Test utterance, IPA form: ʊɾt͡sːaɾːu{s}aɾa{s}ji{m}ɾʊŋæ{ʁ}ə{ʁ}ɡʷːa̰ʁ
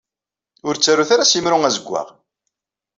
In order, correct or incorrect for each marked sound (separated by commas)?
incorrect, correct, correct, incorrect, incorrect